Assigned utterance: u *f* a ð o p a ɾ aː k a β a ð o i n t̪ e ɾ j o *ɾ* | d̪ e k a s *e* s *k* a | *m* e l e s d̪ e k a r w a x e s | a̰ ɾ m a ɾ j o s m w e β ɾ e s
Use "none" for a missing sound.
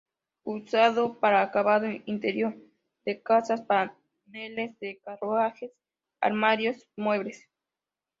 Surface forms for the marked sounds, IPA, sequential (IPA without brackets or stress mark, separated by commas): s, ɾ, a, p, n